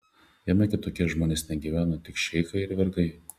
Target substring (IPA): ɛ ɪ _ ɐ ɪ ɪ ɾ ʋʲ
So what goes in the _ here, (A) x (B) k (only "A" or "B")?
A